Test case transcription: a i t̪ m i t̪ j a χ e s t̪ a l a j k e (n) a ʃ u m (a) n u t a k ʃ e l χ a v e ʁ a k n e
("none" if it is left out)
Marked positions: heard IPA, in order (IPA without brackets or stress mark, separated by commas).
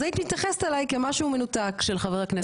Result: m, e